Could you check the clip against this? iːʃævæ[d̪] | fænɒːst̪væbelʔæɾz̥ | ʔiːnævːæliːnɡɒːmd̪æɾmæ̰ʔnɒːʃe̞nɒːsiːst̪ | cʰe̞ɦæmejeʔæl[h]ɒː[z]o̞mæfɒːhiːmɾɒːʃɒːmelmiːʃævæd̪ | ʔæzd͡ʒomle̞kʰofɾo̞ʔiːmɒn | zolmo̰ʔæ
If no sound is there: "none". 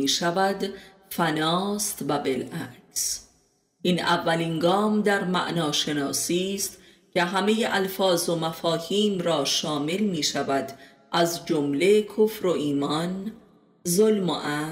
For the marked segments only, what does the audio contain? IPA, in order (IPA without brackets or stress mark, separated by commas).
d̪, f, z